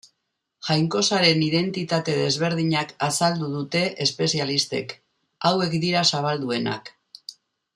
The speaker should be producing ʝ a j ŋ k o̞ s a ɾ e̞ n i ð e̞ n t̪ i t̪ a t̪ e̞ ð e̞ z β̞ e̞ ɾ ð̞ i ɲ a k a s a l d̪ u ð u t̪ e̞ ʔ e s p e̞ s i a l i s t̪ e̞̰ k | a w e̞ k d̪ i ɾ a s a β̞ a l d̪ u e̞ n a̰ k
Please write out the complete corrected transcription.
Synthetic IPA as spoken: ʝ a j ŋ k o̞ s a ɾ e̞ n i ð e̞ n t̪ i t̪ a t̪ e̞ ð e̞ z β̞ e̞ ɾ ð̞ i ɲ a k a s a l d̪ u ð u t̪ e̞ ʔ e s p e̞ s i a l i s t̪ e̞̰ k | a w e̞ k d̪ i ɾ a s a β̞ a l d̪ u e̞ n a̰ k